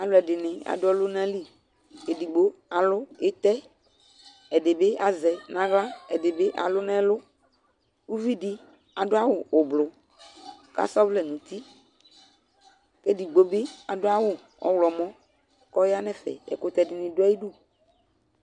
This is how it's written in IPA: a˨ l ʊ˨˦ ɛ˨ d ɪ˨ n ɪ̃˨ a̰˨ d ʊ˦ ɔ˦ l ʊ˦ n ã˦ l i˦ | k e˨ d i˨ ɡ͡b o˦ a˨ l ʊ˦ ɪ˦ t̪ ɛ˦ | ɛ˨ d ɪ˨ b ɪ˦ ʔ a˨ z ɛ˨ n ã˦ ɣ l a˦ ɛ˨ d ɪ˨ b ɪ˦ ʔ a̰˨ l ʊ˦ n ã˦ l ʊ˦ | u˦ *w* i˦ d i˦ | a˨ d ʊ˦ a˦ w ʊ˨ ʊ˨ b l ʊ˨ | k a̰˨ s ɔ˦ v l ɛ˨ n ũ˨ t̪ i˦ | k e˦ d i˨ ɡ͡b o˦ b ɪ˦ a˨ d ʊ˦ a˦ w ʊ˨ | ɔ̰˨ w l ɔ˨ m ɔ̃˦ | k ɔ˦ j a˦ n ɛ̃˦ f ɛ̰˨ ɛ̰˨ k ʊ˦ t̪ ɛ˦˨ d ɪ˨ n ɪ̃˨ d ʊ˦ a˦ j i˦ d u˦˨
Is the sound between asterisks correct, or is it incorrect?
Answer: incorrect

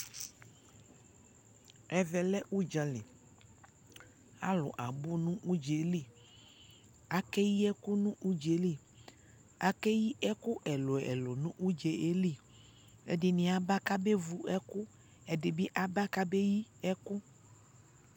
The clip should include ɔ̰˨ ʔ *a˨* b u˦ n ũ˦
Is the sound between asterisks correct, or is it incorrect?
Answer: correct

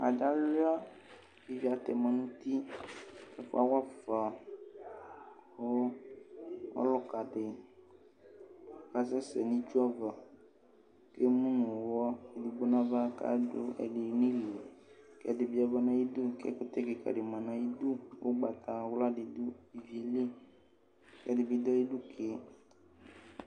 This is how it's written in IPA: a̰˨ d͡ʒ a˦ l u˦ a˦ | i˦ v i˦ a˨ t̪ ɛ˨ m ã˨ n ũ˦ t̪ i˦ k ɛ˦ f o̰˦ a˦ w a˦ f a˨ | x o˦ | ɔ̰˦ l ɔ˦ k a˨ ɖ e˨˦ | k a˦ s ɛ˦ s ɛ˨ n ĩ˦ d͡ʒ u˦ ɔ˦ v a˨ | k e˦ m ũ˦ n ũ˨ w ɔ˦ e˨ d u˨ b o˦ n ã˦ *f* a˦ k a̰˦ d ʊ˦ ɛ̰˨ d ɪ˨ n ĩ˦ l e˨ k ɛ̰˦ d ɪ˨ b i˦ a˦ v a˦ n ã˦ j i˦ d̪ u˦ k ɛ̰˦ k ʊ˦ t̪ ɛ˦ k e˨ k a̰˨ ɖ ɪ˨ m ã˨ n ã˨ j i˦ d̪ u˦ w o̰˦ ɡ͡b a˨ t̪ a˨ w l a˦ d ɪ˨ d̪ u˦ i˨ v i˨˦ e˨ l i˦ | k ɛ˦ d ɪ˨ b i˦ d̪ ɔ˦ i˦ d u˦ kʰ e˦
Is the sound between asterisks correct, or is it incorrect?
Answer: incorrect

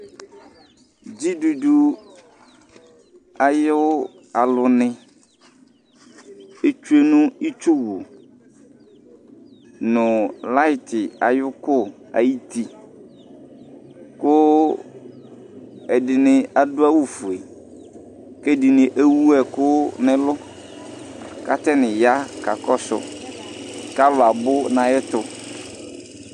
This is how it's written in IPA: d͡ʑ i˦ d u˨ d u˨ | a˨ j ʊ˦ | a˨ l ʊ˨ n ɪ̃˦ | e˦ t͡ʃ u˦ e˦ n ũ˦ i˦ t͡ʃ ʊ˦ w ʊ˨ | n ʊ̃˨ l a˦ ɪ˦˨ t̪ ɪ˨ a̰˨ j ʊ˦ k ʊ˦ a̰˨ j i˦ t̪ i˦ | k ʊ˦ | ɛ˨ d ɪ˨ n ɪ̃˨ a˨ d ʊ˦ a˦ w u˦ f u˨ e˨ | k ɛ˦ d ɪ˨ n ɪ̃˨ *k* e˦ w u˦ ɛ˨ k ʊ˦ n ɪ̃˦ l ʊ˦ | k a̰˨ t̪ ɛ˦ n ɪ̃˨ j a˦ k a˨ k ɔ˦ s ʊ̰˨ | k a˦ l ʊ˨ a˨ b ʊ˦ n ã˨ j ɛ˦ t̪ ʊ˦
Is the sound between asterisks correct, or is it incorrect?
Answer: incorrect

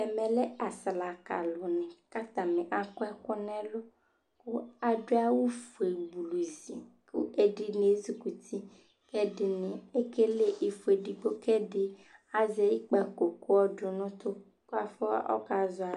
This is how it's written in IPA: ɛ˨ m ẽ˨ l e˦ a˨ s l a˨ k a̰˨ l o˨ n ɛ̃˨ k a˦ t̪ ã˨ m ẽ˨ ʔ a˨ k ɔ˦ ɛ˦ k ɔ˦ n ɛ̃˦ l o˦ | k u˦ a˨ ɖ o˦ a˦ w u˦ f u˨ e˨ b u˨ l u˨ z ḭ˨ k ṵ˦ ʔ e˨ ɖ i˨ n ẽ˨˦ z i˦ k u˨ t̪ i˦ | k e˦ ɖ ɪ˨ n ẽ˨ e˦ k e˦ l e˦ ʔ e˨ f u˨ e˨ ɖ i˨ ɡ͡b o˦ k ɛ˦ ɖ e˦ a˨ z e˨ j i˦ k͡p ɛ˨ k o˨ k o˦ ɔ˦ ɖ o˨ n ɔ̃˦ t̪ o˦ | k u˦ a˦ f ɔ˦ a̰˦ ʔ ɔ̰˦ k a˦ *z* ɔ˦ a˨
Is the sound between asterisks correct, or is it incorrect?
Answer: correct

